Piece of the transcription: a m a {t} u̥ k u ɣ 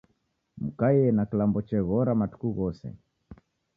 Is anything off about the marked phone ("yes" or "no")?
no